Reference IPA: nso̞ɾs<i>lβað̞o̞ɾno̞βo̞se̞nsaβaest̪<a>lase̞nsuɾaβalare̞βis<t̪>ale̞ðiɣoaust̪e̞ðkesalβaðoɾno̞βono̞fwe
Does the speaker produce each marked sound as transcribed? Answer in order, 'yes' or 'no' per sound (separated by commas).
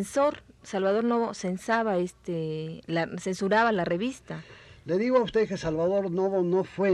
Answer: no, no, yes